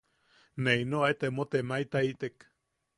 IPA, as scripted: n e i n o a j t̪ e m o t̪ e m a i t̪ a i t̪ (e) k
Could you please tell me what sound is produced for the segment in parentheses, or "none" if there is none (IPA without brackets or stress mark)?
e